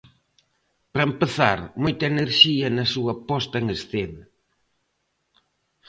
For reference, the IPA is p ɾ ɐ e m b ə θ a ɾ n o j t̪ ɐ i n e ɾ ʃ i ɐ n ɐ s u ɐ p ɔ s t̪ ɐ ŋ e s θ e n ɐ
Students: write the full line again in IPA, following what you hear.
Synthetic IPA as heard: p ɾ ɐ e m p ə θ a ɾ m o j t̪ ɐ e n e ɾ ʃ i ɐ n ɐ s u ɐ p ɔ s t̪ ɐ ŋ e s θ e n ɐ

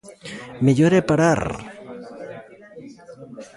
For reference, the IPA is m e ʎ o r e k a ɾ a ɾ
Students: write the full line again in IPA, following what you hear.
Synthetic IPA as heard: m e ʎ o ɾ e p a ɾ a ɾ

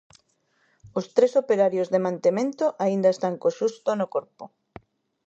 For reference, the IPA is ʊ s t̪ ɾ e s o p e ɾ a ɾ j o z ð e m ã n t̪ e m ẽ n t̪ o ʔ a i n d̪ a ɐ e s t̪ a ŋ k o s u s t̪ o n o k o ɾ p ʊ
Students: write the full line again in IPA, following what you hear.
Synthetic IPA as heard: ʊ s t̪ ɾ e s o p e ɾ a ɾ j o z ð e m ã n t̪ e m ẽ n t̪ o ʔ a i n d̪ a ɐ e s t̪ a ŋ k o ʃ u s t̪ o n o k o ɾ p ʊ

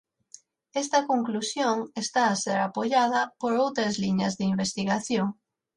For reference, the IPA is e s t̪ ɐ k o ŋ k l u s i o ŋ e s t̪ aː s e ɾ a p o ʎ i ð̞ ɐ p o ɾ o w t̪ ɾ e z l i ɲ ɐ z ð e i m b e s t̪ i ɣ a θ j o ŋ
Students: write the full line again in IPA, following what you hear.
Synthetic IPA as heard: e s t̪ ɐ k o ŋ k l u s j o ŋ e s t̪ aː s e ɾ a p o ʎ a ð̞ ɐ p o ɾ o w t̪ ɾ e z l i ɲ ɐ z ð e i m b e s t̪ i ɣ a θ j o ŋ

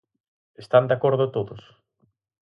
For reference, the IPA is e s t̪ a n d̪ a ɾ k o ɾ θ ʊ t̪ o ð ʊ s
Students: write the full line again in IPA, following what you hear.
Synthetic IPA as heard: e s t̪ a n d̪ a k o ɾ ð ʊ t̪ o ð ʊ s

